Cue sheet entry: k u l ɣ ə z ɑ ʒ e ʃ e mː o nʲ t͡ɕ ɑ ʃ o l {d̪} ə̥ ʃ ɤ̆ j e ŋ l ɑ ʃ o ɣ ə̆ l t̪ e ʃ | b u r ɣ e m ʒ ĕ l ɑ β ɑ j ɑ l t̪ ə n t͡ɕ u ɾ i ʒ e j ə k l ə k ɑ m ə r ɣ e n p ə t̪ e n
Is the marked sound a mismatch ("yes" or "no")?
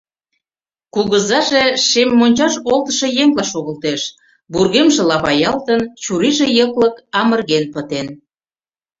yes